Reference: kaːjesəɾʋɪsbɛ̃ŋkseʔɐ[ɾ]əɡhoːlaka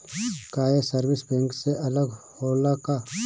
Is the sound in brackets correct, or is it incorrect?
incorrect